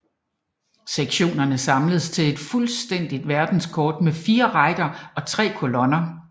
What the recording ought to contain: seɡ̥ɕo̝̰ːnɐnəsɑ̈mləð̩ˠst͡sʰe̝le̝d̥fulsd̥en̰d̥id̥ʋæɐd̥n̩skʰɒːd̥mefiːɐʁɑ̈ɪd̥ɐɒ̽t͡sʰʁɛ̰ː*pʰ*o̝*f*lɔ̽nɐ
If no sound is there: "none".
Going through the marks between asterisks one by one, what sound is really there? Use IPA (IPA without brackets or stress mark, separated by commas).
kʰ, none